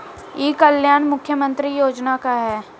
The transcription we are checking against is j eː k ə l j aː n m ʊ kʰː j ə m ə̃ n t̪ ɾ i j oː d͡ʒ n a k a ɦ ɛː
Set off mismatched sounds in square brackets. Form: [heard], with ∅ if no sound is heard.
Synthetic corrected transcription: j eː k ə l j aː n m ʊ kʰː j ə m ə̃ n t̪ ɾ i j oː d͡ʒ n a k a ɦ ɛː